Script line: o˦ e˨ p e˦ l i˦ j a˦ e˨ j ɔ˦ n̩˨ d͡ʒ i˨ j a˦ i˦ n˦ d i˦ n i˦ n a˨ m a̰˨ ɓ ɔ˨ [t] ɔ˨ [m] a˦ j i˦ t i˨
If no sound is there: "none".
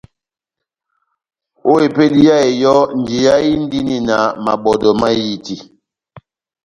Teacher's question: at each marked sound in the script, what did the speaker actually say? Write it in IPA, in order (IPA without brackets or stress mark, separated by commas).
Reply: d, m